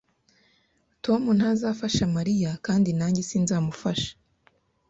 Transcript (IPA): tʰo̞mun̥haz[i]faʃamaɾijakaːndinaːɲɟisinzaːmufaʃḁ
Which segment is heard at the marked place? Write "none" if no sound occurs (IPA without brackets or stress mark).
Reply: a